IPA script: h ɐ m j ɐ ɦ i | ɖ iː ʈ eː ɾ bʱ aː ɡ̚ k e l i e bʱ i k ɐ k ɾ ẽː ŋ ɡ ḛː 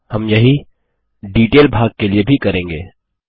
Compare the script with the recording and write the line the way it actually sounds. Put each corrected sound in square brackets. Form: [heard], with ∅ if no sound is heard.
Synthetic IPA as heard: h ɐ m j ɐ ɦ i | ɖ iː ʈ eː [l] bʱ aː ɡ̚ k e l i e bʱ i k ɐ [∅] ɾ ẽː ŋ ɡ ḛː